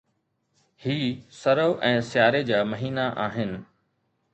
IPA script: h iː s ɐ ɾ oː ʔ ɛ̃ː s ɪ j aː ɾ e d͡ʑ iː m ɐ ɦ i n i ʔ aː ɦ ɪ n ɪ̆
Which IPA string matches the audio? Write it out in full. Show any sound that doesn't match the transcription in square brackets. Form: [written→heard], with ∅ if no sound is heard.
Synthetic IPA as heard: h iː s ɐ ɾ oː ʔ ɛ̃ː s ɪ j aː ɾ e d͡ʑ [iː→aː] m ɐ ɦ [i→iː] n [i→a] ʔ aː ɦ ɪ n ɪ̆